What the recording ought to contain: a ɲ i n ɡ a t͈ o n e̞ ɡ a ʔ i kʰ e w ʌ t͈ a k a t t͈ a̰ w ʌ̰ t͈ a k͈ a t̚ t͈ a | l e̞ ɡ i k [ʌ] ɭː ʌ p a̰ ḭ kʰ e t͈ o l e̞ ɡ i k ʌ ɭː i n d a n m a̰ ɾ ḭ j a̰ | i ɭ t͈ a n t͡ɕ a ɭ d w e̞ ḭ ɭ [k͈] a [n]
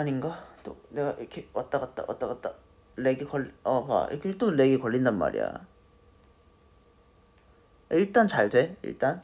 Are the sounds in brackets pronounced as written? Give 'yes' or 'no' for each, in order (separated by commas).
yes, no, yes